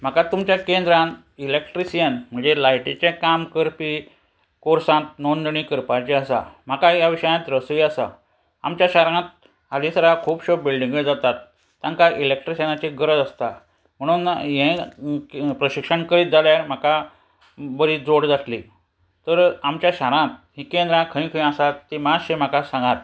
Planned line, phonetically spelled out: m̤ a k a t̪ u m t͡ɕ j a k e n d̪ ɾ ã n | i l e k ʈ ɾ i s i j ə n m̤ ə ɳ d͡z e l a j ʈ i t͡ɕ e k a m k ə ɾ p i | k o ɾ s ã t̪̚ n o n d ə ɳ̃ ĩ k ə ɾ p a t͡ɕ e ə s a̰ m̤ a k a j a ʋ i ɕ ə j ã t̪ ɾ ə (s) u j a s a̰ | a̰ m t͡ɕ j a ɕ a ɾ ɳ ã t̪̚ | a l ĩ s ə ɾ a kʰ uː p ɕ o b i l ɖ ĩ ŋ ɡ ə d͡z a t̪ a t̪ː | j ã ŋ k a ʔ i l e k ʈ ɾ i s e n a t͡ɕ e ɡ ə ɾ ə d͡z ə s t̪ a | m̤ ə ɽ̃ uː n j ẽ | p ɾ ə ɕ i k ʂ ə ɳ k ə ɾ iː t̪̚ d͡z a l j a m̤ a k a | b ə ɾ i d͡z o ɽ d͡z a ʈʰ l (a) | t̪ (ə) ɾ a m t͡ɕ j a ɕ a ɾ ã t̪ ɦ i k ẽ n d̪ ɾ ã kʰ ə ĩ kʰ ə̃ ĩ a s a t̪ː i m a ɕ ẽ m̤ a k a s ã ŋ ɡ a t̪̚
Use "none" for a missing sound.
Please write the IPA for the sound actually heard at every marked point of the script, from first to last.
s, i, ə

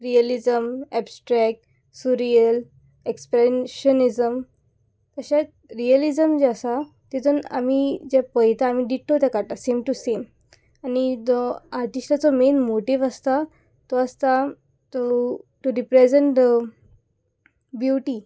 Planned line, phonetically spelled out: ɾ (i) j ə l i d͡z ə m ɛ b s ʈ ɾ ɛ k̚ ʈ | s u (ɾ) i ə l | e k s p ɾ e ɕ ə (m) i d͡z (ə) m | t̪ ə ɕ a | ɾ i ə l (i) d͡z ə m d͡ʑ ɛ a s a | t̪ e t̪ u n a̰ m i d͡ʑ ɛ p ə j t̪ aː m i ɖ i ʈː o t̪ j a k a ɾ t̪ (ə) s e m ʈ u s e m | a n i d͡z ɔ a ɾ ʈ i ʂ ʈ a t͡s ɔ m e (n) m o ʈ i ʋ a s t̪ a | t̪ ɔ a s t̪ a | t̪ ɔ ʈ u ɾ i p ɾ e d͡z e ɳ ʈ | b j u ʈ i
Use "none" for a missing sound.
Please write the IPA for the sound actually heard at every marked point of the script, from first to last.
i, ɾ, n, ə, i, a, n

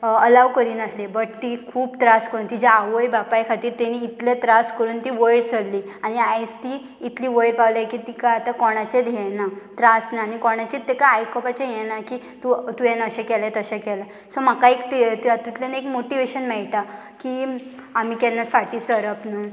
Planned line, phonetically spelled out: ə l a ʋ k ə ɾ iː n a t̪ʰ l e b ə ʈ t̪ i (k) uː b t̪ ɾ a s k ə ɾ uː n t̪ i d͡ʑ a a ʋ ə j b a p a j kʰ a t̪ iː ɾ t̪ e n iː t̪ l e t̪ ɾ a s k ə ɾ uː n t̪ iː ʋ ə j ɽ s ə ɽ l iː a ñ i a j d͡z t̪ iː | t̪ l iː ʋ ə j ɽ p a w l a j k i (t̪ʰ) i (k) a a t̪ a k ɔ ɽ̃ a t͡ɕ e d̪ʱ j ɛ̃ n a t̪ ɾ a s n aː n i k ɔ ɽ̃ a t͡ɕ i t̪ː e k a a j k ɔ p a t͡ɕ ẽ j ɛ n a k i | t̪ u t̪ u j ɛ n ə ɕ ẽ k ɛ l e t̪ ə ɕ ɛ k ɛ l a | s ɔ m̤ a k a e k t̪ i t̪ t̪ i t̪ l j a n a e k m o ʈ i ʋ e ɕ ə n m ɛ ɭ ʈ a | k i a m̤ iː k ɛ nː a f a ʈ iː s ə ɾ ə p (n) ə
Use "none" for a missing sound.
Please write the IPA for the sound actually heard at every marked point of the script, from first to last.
kʰ, t̪, k, n

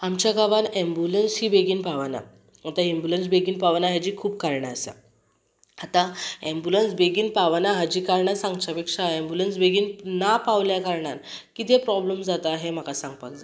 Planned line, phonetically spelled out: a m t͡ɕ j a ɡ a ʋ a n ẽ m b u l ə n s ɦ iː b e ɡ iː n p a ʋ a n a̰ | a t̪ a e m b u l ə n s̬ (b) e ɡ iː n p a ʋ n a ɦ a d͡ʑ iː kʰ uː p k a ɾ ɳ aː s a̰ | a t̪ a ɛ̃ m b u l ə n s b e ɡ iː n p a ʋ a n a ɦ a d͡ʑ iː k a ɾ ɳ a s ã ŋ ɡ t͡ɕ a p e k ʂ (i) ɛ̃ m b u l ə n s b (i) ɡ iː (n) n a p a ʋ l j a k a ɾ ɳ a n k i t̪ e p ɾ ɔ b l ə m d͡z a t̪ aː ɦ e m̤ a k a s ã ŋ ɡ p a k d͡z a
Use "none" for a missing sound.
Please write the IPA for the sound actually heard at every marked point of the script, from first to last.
b, a, e, n

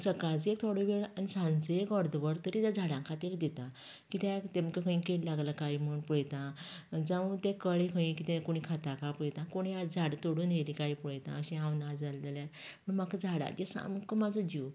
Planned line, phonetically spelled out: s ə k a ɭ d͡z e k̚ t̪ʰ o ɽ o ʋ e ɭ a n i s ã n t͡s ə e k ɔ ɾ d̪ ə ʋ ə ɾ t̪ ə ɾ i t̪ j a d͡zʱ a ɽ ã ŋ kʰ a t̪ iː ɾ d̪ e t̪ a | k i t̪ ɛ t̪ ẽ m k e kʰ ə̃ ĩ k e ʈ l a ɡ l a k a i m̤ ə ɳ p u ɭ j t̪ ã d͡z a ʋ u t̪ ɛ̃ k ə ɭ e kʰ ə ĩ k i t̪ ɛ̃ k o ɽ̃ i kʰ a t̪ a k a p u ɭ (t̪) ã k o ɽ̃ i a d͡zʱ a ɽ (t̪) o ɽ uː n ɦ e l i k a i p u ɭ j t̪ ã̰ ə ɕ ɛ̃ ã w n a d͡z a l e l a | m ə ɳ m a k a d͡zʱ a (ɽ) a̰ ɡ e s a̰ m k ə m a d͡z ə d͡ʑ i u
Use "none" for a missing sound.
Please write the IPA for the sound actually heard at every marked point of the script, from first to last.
t̪, t̪, ɽ

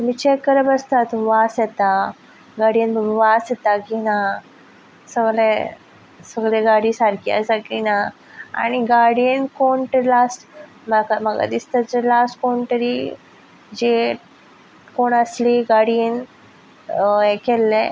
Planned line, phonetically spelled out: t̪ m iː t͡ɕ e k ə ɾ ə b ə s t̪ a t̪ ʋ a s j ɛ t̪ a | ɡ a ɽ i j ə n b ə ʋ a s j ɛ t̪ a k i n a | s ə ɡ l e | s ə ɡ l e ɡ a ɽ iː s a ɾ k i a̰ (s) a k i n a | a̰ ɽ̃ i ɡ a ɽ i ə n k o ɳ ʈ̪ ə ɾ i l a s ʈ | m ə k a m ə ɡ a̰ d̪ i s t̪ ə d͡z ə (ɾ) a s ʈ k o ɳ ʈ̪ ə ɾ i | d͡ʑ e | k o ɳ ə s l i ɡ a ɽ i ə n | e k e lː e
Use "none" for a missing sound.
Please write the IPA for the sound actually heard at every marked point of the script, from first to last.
s, l

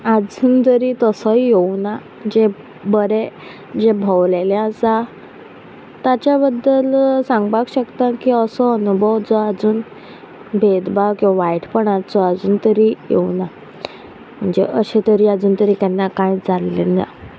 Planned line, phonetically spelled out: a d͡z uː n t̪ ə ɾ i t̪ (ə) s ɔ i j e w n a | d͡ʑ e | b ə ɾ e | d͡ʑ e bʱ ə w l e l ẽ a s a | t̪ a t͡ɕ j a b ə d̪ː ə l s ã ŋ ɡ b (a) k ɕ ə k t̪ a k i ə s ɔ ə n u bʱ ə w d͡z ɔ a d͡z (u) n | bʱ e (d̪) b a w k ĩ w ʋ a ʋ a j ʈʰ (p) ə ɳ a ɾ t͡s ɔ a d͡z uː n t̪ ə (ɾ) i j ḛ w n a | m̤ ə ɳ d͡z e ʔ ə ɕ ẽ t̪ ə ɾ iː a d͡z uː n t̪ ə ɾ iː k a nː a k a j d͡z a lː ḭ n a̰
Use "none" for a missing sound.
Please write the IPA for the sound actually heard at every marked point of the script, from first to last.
ə, a, uː, d̪, p, ɾ

